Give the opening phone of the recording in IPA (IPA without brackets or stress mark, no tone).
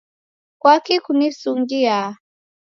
k